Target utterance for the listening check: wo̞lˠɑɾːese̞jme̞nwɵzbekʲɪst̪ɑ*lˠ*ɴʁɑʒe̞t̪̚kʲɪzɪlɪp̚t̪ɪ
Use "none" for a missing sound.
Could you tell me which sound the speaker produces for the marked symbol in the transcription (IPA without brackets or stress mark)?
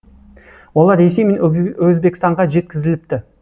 none